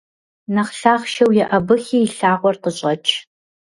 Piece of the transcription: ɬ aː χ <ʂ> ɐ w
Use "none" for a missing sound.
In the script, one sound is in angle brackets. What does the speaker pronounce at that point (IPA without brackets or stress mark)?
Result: ʃ